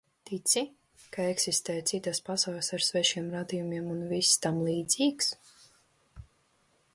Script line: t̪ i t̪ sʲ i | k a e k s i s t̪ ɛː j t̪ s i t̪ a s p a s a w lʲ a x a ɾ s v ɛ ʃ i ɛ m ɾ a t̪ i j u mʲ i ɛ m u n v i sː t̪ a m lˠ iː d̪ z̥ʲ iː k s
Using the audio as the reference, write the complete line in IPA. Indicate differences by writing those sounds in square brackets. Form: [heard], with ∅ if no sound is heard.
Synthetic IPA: t̪ i t̪ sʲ i | k a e k s i s t̪ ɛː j t̪ s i t̪ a s p a s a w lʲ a [s] a ɾ s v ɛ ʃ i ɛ m ɾ a [d̪] i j u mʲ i ɛ m u n v i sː t̪ a m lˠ iː d̪ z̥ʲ iː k s

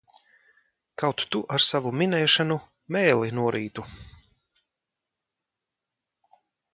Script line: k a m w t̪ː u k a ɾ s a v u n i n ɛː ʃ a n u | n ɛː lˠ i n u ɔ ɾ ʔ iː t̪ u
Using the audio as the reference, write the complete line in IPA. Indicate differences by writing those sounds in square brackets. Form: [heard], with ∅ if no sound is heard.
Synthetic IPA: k a [∅] w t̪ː u [ʔ] a ɾ s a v u [m] i n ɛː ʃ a n u | [m] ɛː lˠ i n u ɔ ɾ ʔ iː t̪ u

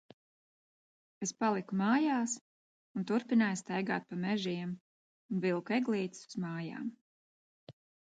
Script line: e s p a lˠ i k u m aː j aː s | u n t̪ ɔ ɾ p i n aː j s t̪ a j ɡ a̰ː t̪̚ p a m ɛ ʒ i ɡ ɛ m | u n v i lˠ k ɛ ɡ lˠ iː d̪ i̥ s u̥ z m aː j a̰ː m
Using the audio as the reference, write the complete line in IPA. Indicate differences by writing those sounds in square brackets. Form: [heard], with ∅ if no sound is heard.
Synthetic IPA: e s p a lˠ i k u m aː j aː s | u n t̪ [u] ɾ p i n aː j s t̪ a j ɡ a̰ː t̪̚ p a m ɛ ʒ i [∅] ɛ m | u n v i lˠ k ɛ ɡ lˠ iː [t̪] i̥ s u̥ z m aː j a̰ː m

